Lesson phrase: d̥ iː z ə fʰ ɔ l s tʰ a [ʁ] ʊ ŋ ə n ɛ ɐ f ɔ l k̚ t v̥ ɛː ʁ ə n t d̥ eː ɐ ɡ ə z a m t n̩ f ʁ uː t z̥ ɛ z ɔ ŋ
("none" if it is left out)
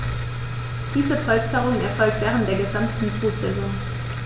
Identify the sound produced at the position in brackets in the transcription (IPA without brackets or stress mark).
ʁ